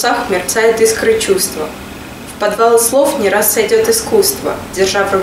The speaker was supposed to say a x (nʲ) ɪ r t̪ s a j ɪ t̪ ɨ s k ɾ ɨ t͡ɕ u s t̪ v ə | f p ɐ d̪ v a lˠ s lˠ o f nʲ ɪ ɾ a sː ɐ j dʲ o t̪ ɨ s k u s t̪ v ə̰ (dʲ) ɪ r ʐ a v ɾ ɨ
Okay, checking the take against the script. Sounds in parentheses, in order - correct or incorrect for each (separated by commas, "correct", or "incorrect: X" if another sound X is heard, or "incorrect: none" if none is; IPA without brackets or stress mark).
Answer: incorrect: mʲ, correct